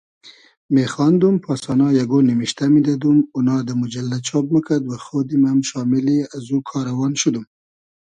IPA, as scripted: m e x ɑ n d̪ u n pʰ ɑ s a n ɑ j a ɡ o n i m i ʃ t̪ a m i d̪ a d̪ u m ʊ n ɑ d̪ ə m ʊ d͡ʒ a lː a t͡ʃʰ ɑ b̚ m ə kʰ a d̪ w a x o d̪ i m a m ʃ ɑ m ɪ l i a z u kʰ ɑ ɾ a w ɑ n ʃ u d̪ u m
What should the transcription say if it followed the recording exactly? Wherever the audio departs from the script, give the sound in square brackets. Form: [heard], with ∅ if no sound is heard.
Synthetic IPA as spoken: m e x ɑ n d̪ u [m] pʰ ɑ s [ɑ] n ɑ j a ɡ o n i m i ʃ t̪ a m i d̪ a d̪ u m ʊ n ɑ d̪ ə m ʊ d͡ʒ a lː a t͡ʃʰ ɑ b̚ m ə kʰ a d̪ w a x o d̪ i m a m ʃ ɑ m ɪ l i a z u kʰ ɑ ɾ a w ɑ n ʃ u d̪ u m